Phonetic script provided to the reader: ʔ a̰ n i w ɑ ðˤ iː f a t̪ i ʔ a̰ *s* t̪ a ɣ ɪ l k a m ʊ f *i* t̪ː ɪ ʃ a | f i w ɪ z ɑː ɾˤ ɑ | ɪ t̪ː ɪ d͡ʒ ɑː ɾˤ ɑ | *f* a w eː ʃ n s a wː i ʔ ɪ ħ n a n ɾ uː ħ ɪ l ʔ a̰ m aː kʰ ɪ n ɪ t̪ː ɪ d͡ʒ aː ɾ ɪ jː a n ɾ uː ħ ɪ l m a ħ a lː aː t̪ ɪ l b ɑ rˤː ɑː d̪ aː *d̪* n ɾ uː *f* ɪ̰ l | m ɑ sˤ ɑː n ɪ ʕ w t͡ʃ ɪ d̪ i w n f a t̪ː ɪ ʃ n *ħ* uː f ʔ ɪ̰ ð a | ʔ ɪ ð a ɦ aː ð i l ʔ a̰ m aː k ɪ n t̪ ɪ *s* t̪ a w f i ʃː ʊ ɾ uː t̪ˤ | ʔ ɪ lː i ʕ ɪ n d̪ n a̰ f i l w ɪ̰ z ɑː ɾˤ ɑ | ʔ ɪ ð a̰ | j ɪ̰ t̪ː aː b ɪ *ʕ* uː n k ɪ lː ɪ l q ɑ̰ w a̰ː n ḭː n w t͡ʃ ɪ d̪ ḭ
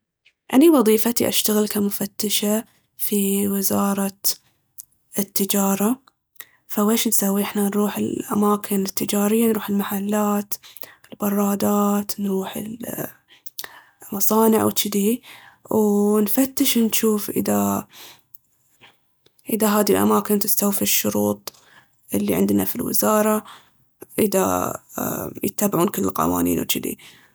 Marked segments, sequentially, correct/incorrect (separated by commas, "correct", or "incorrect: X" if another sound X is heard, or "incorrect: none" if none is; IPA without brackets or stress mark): incorrect: ʃ, incorrect: a, correct, incorrect: t̪, incorrect: ħ, incorrect: ʃ, correct, correct